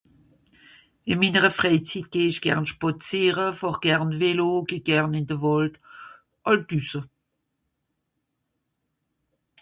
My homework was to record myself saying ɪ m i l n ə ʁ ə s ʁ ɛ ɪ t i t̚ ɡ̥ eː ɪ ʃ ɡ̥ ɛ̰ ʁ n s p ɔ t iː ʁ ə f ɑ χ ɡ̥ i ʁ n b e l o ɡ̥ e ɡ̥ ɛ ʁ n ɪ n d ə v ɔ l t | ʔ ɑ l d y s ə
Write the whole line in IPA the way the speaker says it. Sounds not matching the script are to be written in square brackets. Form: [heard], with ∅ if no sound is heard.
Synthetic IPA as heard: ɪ m i [∅] n ə ʁ ə [f] ʁ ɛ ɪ [t͡s] i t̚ ɡ̥ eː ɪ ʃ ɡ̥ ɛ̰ ʁ n [ʃ] p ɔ [t͡s] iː ʁ ə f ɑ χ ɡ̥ [ɛ] ʁ n [v] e l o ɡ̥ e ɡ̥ ɛ ʁ n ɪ n d ə v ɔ l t | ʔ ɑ l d y s ə